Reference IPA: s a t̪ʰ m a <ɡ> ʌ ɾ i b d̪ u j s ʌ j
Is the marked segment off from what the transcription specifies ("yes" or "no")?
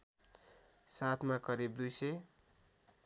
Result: yes